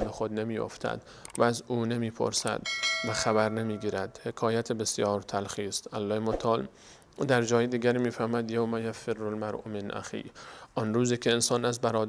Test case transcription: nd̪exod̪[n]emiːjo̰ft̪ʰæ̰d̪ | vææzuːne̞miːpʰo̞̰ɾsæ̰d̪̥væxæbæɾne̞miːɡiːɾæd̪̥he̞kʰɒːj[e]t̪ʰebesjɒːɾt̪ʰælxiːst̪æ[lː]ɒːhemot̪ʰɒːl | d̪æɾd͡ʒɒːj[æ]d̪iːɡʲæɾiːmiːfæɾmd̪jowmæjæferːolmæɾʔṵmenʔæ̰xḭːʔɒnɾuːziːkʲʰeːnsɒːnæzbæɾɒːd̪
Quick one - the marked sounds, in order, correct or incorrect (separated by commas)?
correct, incorrect, correct, incorrect